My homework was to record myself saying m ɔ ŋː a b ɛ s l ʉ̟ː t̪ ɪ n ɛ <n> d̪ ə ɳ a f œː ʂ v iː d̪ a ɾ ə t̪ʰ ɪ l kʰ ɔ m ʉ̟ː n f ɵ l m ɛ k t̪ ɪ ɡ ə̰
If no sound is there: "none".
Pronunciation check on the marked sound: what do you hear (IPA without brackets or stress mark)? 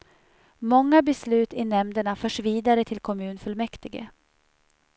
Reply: m